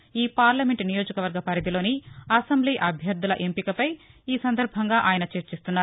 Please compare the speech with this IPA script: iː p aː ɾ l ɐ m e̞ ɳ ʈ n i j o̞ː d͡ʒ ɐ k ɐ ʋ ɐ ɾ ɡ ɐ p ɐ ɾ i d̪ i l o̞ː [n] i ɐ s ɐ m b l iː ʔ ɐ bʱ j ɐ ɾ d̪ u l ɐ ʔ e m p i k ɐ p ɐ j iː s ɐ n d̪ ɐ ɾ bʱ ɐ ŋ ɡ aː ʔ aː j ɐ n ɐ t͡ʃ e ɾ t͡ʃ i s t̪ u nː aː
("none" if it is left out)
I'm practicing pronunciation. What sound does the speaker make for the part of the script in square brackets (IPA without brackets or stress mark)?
n